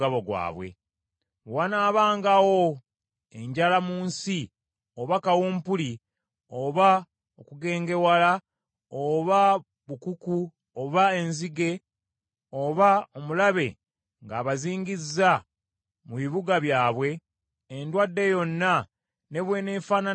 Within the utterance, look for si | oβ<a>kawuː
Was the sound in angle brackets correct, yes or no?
yes